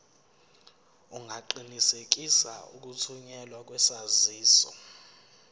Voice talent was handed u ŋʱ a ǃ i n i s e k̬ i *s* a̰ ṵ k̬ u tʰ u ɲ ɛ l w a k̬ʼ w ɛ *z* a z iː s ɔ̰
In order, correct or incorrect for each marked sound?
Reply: correct, incorrect: s

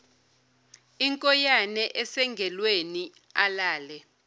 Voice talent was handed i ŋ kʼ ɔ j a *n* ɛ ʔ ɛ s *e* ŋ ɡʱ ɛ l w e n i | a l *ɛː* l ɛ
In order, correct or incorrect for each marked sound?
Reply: correct, incorrect: ɛ, incorrect: aː

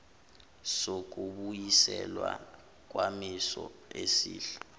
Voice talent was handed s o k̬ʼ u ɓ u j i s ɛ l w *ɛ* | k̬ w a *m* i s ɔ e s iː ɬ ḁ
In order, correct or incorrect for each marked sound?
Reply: incorrect: a, correct

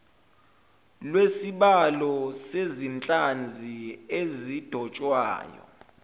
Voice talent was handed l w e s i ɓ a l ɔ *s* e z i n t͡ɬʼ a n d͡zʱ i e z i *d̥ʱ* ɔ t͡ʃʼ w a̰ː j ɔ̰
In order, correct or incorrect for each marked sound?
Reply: correct, correct

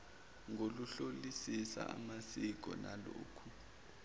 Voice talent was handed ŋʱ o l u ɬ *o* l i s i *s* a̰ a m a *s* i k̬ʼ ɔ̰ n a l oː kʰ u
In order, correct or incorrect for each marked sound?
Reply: correct, correct, correct

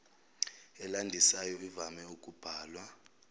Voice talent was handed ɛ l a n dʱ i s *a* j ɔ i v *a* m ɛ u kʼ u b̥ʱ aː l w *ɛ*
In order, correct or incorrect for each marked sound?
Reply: correct, correct, incorrect: a

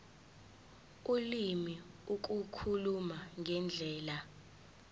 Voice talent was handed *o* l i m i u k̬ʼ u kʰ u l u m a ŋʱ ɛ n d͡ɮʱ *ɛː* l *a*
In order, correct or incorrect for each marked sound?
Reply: incorrect: u, correct, correct

